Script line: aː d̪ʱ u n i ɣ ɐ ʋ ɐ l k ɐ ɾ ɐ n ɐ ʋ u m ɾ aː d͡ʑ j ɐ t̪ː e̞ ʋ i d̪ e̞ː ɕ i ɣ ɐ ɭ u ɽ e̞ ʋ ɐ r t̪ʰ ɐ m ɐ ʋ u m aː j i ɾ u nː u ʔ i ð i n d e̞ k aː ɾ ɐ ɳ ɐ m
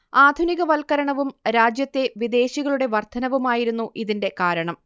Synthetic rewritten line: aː d̪ʱ u n i ɣ ɐ ʋ ɐ l k ɐ ɾ ɐ ɳ ɐ ʋ u m ɾ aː d͡ʑ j ɐ t̪ː e̞ ʋ i d̪ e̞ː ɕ i ɣ ɐ ɭ u ɽ e̞ ʋ ɐ r t̪ʰ ɐ n ɐ ʋ u m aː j i ɾ u nː u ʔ i ð i n d e̞ k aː ɾ ɐ ɳ ɐ m